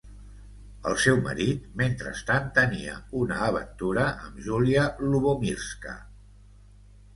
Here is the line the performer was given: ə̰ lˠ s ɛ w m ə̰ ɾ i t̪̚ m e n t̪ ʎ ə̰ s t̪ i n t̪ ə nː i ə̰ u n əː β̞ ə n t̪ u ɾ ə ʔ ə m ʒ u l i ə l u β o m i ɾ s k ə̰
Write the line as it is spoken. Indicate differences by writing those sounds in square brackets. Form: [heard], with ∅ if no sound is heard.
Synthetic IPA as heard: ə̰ lˠ s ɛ w m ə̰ ɾ i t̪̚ m e n t̪ [ɾ] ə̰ s t̪ [a] n t̪ ə [n] i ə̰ u n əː β̞ ə n t̪ u ɾ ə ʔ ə m ʒ u l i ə l u β o m i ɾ s k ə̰